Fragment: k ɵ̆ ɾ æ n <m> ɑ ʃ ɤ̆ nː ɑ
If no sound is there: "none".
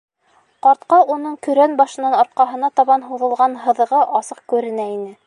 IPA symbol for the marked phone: b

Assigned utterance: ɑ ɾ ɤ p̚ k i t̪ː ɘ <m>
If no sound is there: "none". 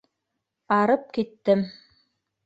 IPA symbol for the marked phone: m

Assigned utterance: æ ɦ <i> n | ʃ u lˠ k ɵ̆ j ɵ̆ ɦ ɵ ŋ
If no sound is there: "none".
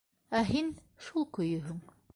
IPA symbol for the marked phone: i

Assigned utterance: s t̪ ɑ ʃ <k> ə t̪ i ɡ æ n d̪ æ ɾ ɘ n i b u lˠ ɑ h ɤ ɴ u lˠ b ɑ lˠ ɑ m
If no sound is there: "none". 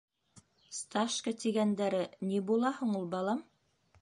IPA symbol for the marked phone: k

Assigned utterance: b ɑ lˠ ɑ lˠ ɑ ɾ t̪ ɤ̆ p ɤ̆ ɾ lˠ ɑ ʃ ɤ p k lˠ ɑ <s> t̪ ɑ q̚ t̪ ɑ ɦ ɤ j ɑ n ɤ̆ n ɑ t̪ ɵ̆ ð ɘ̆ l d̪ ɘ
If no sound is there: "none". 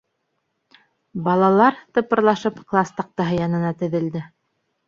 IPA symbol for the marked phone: s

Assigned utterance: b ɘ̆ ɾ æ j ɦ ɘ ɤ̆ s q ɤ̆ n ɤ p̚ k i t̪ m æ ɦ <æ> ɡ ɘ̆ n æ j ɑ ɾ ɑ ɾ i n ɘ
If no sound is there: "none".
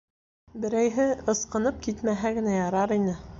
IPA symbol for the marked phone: æ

